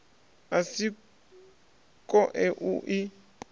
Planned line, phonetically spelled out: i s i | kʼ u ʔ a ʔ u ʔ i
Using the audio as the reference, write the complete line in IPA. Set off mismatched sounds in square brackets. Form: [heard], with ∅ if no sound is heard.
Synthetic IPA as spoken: [a] s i | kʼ [ɔ] ʔ [ɛ] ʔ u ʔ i

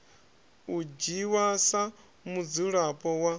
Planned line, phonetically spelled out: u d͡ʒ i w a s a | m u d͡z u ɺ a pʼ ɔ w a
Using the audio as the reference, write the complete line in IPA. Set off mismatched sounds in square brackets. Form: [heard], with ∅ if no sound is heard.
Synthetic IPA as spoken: u d͡ʒ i w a s a | m u d͡z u ɺ a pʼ ɔ w a

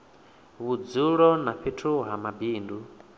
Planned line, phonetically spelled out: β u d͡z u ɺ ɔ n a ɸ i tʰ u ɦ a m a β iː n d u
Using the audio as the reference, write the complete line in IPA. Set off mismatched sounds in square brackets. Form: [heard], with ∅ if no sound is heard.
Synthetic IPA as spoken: β u d͡z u ɺ ɔ n a ɸ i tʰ u ɦ a m a [b] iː n d u

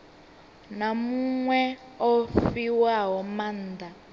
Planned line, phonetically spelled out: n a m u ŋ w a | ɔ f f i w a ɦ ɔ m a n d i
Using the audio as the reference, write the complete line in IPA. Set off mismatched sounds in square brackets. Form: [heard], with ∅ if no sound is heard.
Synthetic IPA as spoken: n a m u ŋ w [ɛ] | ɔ f f i w a ɦ ɔ m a n d [a]

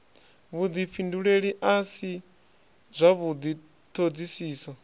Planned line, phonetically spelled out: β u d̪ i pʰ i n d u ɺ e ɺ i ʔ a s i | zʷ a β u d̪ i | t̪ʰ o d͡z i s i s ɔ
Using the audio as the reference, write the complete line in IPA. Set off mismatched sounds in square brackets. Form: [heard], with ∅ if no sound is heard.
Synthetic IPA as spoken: β u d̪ i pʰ i n d u ɺ e ɺ i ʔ a s i | zʷ a β u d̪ i | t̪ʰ o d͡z i s [iː] s ɔ

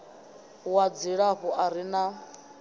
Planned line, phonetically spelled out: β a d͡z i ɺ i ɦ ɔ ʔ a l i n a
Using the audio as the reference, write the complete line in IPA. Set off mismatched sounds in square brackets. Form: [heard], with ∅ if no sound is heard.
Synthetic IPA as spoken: [w] a d͡z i ɺ [a] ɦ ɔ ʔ a [ɾ] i n a

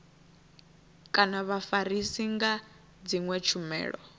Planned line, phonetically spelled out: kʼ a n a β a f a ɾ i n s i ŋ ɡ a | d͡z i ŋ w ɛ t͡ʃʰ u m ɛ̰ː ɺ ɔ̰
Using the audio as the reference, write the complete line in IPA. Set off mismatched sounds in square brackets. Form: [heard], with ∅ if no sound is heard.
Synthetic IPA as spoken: kʼ a n a β a f a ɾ i [∅] s i ŋ ɡ a | d͡z i ŋ w ɛ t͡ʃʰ u m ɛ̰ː ɺ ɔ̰

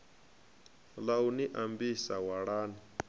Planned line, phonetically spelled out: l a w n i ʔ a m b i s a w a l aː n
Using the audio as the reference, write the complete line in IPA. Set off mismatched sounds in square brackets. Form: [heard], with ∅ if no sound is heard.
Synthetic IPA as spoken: l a w n i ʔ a m b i s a w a [ɽ] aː n

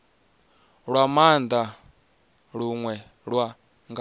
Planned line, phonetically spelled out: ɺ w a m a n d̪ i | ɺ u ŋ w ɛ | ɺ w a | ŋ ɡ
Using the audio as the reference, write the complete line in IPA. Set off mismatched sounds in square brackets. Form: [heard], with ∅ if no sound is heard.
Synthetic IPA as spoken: ɺ w a m a n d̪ [a] | ɺ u ŋ w ɛ | ɺ w a | ŋ ɡ

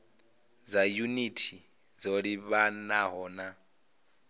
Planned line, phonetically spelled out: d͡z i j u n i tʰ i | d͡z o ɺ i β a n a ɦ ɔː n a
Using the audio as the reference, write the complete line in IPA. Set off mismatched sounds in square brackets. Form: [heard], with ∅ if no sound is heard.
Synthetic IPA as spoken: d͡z [a] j u n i tʰ i | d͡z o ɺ i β a n a ɦ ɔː n a

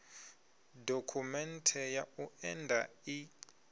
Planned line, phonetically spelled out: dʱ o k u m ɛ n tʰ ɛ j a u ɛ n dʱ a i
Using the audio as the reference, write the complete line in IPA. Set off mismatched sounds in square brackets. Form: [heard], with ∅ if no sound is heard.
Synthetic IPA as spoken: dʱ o [kʰ] u m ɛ n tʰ ɛ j a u ɛ n dʱ a i

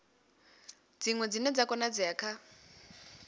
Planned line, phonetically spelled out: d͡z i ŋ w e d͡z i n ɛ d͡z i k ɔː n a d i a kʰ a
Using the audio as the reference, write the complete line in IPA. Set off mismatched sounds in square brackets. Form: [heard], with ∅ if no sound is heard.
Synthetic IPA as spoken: d͡z i ŋ w [ɛ] d͡z i n ɛ d͡z [a] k [ɔ] n a [d͡z] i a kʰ a

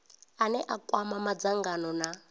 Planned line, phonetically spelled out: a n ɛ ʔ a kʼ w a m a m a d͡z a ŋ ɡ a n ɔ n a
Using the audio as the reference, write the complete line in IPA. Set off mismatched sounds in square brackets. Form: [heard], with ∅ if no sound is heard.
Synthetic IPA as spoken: a n ɛ ʔ a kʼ w a m a m a d͡z a ŋ ɡ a n ɔ n a

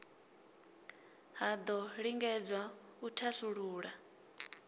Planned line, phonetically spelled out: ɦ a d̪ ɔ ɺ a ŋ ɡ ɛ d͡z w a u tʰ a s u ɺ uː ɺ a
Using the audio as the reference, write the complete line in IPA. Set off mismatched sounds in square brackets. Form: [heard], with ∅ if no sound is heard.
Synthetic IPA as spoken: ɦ a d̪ ɔ ɺ [i] ŋ ɡ ɛ d͡z w a u tʰ a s u ɺ uː ɺ a

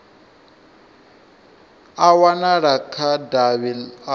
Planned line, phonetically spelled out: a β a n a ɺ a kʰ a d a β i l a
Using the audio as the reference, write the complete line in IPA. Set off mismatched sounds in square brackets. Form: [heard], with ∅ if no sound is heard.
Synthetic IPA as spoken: a [w] a n a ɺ a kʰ a d a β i l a

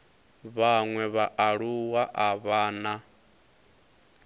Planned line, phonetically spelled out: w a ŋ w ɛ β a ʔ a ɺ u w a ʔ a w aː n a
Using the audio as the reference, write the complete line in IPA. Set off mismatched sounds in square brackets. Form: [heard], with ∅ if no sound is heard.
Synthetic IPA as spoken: [β] a ŋ w ɛ β a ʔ a ɺ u w a ʔ a [β] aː n a

